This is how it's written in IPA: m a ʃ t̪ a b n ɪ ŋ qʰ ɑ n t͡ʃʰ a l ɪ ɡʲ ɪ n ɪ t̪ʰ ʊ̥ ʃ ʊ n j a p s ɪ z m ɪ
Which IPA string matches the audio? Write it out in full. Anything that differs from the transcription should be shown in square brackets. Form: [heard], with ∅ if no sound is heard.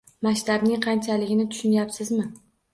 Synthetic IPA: m a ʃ t̪ a b n ɪ ŋ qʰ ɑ n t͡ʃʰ a l ɪ ɡʲ ɪ n ɪ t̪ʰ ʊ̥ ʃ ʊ n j a p s ɪ z m ɪ